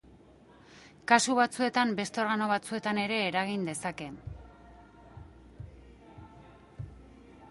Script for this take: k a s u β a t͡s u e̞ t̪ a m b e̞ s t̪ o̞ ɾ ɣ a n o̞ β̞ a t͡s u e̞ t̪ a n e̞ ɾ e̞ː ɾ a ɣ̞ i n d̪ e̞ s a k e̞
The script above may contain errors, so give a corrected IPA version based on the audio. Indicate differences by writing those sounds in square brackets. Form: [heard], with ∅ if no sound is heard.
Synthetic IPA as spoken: k a s u β a t͡s u e̞ t̪ a m b e̞ s t̪ o̞ ɾ ɣ a n o̞ β̞ a t͡s u e̞ t̪ a n e̞ ɾ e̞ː ɾ a ɣ̞ i n d̪ e̞ s a k e̞